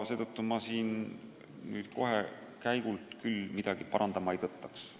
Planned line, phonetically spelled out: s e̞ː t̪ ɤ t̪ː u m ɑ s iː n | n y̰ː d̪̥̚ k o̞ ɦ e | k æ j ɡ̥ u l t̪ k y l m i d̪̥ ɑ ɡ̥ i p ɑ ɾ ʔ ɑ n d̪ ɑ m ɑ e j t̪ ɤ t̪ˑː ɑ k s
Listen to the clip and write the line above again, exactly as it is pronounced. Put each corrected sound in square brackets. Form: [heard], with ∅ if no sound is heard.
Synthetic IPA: s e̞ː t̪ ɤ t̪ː u m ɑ s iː n | n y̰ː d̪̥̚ k o̞ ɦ e | k æ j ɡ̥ u l t̪ k y l m i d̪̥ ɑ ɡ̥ i p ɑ ɾ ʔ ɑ n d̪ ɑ m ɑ e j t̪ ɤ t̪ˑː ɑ k s